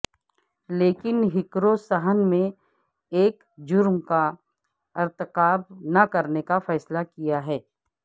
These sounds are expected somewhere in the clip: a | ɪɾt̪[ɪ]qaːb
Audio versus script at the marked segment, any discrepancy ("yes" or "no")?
no